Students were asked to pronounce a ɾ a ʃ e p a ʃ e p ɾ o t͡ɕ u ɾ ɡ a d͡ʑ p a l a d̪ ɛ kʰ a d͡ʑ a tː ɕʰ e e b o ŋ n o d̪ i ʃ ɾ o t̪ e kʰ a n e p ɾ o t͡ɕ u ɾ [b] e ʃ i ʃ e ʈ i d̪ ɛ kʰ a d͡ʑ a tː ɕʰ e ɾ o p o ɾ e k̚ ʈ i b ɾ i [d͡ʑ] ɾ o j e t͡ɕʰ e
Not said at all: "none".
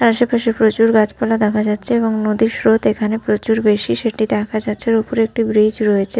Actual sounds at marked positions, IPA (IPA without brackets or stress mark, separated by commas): b, d͡ʑ